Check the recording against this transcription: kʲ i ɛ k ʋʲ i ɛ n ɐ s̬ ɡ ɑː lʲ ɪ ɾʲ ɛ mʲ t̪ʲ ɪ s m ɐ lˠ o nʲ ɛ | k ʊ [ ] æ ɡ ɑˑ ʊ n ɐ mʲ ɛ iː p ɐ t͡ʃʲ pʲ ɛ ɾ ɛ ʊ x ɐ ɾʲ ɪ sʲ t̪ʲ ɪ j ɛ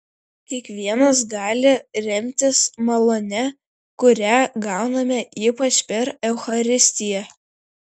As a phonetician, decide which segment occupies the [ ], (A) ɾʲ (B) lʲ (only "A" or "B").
A